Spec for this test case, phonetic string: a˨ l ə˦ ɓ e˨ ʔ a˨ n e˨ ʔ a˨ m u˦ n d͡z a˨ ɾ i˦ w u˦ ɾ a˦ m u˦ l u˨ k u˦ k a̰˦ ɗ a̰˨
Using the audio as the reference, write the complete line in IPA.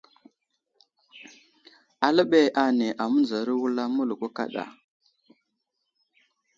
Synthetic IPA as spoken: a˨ l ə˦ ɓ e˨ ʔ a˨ n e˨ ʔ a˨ m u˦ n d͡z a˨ ɾ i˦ w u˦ l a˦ m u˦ l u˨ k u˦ k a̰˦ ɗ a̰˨